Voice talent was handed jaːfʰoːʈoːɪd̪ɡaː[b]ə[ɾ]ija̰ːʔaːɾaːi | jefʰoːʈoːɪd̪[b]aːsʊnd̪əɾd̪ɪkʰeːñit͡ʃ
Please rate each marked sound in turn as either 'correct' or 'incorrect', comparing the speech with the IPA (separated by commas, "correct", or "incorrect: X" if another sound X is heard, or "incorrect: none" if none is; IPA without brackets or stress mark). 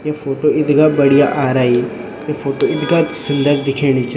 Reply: correct, incorrect: ɽ, incorrect: ɡ